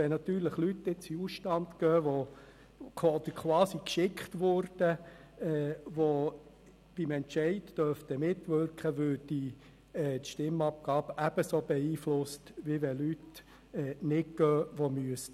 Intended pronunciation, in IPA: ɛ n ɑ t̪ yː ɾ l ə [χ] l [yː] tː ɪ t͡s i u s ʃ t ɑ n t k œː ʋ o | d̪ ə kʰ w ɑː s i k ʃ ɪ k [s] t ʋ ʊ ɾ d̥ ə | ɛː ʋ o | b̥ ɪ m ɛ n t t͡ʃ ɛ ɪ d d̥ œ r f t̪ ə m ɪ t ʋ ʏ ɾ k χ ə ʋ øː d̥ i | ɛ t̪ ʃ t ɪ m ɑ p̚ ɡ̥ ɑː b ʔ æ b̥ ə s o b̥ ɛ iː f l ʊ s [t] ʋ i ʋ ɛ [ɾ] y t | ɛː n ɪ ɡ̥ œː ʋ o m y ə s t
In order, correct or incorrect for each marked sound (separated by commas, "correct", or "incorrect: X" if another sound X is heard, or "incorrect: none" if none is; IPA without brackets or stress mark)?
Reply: correct, incorrect: y, incorrect: χ, correct, incorrect: l